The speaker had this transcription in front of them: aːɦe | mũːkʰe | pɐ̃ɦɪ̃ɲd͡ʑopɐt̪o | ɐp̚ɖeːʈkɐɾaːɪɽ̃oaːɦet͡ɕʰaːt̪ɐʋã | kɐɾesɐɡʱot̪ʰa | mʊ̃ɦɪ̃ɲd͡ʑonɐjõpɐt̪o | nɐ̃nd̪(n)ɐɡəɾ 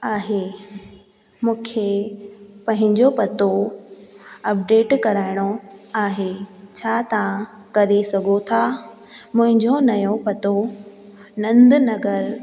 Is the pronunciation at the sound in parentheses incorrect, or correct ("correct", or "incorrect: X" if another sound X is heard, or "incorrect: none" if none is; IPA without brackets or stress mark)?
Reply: correct